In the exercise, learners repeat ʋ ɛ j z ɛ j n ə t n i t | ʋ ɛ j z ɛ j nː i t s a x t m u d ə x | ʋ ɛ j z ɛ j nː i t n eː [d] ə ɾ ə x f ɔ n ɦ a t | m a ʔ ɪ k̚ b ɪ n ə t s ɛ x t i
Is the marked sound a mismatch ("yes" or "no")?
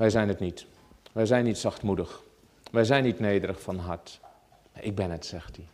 no